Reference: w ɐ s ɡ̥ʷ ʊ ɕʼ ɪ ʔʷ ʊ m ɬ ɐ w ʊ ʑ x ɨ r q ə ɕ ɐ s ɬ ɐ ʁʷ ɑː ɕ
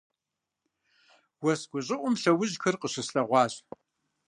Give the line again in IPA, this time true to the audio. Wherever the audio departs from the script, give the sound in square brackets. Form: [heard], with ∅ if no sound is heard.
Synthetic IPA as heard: w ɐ s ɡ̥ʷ ʊ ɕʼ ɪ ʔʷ ʊ m ɬ ɐ w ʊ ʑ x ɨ r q ə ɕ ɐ s ɬ ɐ ʁʷ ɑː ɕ